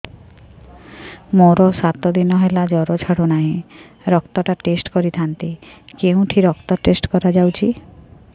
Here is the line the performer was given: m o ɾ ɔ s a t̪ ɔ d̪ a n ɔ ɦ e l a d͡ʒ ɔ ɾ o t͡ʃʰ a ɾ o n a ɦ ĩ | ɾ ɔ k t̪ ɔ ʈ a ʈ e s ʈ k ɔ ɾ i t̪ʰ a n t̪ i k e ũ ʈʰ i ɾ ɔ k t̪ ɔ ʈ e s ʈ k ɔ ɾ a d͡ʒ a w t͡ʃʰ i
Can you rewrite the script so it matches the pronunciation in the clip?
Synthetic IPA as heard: m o ɾ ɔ s a t̪ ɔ d̪ i n ɔ ɦ e l a d͡ʒ ɔ ɾ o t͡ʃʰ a ɽ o n a ɦ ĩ | ɾ ɔ k t̪ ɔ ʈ a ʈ e s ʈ k ɔ ɾ i t̪ʰ a n t̪ i k e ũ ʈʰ i ɾ ɔ k t̪ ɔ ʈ e s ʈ k ɔ ɾ a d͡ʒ a w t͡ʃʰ i